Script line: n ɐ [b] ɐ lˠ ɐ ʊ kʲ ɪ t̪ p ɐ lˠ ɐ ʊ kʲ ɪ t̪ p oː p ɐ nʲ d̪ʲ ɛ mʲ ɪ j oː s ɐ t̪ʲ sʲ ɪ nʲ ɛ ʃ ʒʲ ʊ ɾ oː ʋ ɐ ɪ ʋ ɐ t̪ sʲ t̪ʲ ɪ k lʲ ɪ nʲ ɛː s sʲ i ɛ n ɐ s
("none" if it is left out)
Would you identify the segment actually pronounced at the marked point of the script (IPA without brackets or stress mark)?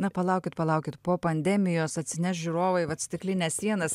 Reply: p